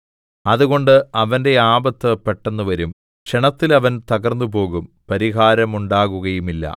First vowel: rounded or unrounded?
unrounded